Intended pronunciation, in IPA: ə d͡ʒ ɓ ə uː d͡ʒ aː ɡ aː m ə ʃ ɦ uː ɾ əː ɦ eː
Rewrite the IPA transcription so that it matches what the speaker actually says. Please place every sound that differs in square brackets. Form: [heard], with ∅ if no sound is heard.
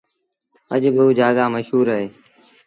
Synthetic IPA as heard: ə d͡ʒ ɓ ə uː d͡ʒ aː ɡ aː m ə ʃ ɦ uː ɾ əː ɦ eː